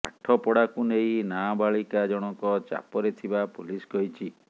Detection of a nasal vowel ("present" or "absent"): absent